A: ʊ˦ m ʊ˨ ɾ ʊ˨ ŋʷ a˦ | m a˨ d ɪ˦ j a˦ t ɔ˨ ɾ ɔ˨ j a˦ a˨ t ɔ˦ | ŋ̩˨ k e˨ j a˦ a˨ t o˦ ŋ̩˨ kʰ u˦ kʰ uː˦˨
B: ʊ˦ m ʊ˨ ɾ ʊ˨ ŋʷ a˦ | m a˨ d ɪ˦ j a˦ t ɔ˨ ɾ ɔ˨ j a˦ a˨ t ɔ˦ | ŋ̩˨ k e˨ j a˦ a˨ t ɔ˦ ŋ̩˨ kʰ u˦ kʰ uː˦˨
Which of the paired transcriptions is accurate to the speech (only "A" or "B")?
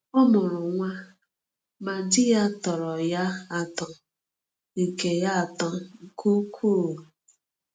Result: B